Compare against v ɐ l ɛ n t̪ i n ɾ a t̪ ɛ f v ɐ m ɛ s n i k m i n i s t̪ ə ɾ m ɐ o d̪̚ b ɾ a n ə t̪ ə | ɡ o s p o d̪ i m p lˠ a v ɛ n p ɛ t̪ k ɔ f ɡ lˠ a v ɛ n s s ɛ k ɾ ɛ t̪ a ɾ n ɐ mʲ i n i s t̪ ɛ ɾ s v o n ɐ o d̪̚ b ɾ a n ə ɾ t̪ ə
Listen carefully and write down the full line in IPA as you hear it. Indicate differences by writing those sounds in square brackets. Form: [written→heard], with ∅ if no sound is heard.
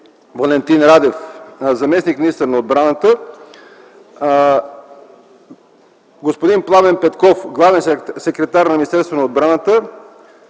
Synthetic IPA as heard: v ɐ l ɛ n t̪ i n ɾ a [t̪→d̪] ɛ f [v→z] ɐ m ɛ s n i k m i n i s t̪ ə ɾ [m→n] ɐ o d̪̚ b ɾ a n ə t̪ ə | ɡ o s p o d̪ i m p lˠ a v ɛ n p ɛ t̪ k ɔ f ɡ lˠ a v ɛ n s s ɛ k ɾ ɛ t̪ a ɾ n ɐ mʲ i n i s t̪ ɛ ɾ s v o n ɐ o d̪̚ b ɾ a n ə [ɾ→∅] t̪ ə